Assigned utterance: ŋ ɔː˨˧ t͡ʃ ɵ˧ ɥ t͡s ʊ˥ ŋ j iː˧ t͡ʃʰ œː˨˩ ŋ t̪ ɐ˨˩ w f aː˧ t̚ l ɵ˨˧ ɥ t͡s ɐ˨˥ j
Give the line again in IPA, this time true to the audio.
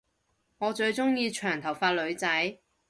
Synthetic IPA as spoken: ŋ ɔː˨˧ t͡ʃ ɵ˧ ɥ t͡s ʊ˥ ŋ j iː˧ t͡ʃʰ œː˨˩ ŋ t̪ʰ ɐ˨˩ w f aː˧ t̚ l ɵ˨˧ ɥ t͡s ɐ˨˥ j

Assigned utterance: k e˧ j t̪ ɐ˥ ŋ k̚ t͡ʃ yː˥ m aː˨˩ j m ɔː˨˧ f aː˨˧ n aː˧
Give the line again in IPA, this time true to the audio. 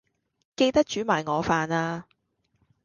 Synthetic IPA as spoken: k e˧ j t̪ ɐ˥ k̚ t͡ʃ yː˨˥ m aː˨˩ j ŋ ɔː˨˧ f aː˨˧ n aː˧

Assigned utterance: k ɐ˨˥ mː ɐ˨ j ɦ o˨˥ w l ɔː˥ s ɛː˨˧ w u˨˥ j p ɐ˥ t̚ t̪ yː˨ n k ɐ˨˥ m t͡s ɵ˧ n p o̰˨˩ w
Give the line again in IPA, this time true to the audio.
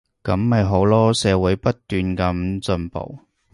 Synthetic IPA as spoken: k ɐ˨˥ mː ɐ˨ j ɦ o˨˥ w l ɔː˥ s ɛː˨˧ w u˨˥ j p ɐ˥ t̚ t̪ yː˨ n k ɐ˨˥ m t͡s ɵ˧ n p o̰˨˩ w

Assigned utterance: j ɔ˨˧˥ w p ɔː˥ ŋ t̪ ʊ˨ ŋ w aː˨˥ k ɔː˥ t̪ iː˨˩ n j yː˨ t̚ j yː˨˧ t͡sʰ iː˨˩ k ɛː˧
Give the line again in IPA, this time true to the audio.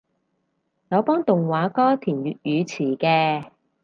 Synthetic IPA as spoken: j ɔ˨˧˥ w p ɔː˥ ŋ t̪ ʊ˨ ŋ w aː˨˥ k ɔː˥ t̪ʰ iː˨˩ n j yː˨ t̚ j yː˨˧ t͡sʰ iː˨˩ k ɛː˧

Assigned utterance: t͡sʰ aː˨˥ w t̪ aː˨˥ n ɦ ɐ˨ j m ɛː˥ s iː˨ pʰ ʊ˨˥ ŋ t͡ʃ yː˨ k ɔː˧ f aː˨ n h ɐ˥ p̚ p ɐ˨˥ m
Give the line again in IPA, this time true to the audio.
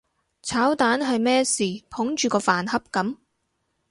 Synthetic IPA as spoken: t͡sʰ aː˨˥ w t̪ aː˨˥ n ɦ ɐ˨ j m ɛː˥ s iː˨ pʰ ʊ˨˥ ŋ t͡ʃ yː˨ k ɔː˧ f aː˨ n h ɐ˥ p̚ k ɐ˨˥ m

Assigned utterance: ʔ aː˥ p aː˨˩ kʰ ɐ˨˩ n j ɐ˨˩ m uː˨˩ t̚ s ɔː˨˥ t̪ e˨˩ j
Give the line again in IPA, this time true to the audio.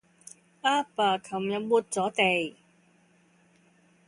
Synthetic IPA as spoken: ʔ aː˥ p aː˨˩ kʰ ɐ˨˩ m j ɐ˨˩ m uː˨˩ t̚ t͡s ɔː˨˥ t̪ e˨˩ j

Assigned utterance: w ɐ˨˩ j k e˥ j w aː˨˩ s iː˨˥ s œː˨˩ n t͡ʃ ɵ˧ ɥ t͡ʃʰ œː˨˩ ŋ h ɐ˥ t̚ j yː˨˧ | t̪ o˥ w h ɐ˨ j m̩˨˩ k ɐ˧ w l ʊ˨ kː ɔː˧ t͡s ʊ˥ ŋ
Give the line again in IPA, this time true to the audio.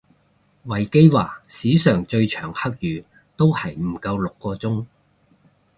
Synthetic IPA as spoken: w ɐ˨˩ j k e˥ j w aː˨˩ s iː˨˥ s œː˨˩ ŋ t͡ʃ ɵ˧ ɥ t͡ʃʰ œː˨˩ ŋ h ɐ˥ k̚ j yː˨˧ | t̪ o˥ w h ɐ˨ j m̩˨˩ k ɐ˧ w l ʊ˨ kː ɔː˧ t͡s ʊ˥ ŋ

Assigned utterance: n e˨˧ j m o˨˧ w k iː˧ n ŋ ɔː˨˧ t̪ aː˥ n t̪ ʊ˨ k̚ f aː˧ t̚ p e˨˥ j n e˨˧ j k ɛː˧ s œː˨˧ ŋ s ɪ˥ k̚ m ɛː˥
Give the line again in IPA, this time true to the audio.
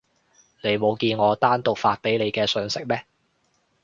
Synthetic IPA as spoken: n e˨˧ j m o˨˧ w k iː˧ n ŋ ɔː˨˧ t̪ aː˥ n t̪ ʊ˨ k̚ f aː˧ t̚ p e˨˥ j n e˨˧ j k ɛː˧ s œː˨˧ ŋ s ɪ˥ k̚ m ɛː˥

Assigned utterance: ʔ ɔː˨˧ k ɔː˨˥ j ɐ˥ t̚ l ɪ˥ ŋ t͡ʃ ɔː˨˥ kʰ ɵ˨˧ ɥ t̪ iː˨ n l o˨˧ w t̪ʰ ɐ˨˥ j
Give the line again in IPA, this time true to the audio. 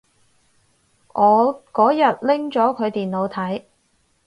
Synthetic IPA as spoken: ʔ ɔː˨˧ k ɔː˨˥ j ɐ˨ t̚ l ɪ˥ ŋ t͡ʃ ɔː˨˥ kʰ ɵ˨˧ ɥ t̪ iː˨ n l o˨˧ w t̪ʰ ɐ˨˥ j

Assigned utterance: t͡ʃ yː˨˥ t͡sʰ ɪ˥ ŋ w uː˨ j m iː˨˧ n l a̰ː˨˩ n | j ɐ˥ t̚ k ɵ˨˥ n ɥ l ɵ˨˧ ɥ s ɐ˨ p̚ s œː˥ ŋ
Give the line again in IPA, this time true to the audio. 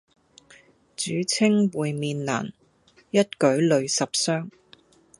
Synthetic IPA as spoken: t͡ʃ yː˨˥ t͡sʰ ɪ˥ ŋ w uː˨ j m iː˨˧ n l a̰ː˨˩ n | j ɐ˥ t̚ k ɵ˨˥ ɥ l ɵ˨˧ ɥ s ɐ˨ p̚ s œː˥ ŋ

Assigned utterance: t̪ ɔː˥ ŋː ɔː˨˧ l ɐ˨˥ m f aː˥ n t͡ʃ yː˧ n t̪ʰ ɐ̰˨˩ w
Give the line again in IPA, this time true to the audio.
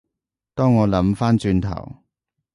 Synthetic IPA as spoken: t̪ ɔː˥ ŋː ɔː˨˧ l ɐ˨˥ m f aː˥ n t͡ʃ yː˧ n t̪ʰ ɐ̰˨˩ w

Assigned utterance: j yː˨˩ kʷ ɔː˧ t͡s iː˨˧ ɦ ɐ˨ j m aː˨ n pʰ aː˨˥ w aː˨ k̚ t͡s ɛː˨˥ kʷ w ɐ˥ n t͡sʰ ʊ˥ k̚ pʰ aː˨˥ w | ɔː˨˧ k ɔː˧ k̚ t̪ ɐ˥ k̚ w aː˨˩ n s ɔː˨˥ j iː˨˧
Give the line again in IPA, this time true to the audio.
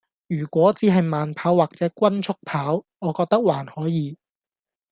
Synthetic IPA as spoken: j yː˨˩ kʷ ɔː˨˥ t͡s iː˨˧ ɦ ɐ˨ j m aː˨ n pʰ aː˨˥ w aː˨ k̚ t͡s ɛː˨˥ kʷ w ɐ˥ n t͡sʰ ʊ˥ k̚ pʰ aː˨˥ w | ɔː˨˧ k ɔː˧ k̚ t̪ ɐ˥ k̚ w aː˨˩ n h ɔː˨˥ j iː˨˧

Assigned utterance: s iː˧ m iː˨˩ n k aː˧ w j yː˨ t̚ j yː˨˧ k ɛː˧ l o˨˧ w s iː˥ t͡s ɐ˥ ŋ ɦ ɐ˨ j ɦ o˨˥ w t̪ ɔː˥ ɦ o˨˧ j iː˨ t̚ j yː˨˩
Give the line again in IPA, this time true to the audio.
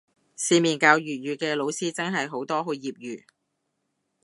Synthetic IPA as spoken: s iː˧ m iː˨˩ n k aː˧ w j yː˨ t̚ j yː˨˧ k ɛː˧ l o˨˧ w s iː˥ t͡s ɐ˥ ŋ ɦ ɐ˨ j ɦ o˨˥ w t̪ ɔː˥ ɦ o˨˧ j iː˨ p̚ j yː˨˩

